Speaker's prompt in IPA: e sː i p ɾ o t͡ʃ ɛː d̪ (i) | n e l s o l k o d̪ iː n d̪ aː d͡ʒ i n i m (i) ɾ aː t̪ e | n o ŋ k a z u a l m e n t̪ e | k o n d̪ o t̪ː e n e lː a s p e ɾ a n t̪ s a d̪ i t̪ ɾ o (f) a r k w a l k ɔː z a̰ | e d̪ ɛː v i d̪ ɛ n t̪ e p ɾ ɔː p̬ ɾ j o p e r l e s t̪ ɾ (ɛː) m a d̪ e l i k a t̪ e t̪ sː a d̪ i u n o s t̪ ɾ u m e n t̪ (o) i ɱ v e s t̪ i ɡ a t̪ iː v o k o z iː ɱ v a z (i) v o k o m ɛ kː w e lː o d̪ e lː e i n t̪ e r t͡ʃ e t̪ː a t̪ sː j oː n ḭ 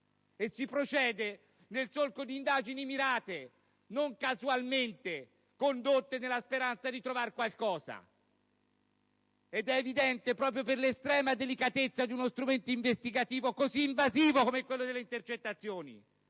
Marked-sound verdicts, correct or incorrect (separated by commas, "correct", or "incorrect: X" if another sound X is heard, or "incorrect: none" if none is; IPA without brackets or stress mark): incorrect: e, correct, incorrect: v, correct, correct, incorrect: iː